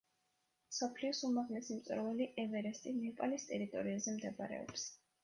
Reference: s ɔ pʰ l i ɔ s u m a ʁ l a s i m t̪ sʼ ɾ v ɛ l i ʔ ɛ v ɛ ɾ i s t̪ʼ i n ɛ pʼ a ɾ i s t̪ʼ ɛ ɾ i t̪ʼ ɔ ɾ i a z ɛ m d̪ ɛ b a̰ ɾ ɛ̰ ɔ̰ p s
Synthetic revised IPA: s ɔ pʰ l i ɔ s u m a ʁ l ɛ s i m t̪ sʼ ɾ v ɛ l i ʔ ɛ v ɛ ɾ ɛ s t̪ʼ i n ɛ pʼ a l i s t̪ʼ ɛ ɾ i t̪ʼ ɔ ɾ i a z ɛ m d̪ ɛ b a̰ ɾ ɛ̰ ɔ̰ p s